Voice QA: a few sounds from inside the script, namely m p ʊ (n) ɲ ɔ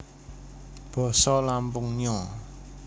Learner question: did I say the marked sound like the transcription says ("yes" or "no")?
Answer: no